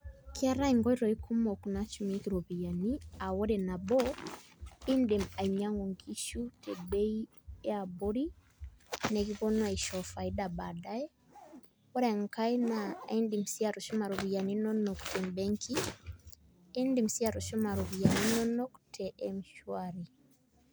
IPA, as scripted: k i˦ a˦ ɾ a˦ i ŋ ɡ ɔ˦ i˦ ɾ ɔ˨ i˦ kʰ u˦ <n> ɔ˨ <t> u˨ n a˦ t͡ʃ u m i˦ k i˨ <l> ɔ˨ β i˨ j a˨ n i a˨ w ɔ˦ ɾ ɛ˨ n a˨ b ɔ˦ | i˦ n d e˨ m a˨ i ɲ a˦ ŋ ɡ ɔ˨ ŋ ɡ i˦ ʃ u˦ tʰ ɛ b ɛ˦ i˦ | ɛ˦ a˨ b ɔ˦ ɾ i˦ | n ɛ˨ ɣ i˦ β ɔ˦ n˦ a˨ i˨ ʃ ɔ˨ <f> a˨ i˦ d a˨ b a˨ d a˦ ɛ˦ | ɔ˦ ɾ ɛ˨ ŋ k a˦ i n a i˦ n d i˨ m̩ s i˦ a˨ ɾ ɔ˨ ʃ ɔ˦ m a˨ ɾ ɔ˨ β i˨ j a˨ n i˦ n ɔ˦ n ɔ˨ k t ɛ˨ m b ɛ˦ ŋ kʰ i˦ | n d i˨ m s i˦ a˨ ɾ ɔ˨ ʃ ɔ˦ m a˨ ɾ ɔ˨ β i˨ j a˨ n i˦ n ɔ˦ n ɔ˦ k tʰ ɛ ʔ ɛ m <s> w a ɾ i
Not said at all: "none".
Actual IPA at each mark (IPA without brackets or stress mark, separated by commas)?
m, k, ɾ, f, ʃ